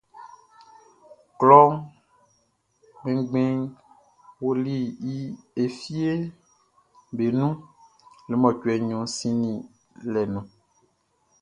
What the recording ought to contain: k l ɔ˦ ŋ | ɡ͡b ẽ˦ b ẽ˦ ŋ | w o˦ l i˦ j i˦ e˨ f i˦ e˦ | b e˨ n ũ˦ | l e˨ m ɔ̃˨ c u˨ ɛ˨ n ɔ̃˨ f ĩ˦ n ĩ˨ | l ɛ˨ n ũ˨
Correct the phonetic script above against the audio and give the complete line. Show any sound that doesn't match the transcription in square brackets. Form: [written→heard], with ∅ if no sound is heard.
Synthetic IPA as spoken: k l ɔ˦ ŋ | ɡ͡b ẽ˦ [b→ɡ͡b] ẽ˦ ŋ | w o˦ l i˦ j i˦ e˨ f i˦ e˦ | b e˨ n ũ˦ | l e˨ m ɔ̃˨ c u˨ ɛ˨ [n→ɲ] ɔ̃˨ [f→s] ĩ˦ n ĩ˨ | l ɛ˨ n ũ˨